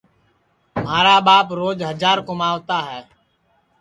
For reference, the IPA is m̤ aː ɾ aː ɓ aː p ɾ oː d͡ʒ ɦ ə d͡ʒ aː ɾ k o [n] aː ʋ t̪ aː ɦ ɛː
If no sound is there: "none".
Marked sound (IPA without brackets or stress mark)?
m